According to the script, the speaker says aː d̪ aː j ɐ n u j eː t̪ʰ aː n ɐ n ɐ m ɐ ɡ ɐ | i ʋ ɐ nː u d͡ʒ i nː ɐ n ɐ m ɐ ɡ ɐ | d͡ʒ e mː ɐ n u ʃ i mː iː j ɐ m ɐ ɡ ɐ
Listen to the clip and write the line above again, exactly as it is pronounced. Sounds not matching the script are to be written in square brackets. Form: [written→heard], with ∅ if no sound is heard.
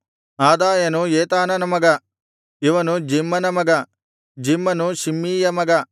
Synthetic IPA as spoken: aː d̪ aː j ɐ n u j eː [t̪ʰ→t̪] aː n ɐ n ɐ m ɐ ɡ ɐ | i ʋ ɐ [nː→n] u d͡ʒ i [nː→mː] ɐ n ɐ m ɐ ɡ ɐ | d͡ʒ [e→i] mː ɐ n u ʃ i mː iː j ɐ m ɐ ɡ ɐ

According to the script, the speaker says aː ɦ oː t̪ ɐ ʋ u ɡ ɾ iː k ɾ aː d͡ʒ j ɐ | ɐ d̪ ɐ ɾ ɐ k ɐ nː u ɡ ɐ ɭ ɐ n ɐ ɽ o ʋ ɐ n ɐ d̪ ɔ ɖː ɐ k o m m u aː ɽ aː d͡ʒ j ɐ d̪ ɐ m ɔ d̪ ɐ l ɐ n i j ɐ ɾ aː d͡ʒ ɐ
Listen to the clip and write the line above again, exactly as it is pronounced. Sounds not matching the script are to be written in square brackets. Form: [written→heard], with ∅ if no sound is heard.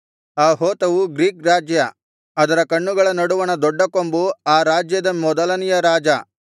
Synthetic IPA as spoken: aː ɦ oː t̪ ɐ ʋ u ɡ ɾ iː k ɾ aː d͡ʒ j ɐ | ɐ d̪ ɐ ɾ ɐ k ɐ [nː→ɳː] u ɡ ɐ ɭ ɐ n ɐ ɽ [o→u] ʋ ɐ n ɐ d̪ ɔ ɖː ɐ k o m [m→b] u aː [ɽ→ɾ] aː d͡ʒ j ɐ d̪ ɐ m ɔ d̪ ɐ l ɐ n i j ɐ ɾ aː d͡ʒ ɐ

